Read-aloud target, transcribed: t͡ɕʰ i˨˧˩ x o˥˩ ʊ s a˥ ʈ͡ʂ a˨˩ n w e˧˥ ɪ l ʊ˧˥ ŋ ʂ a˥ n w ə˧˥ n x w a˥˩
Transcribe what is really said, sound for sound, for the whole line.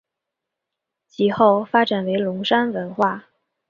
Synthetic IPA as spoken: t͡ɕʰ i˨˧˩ x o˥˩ ʊ f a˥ ʈ͡ʂ a˨˩ n w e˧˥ ɪ l ʊ˧˥ ŋ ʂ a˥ n w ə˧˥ n x w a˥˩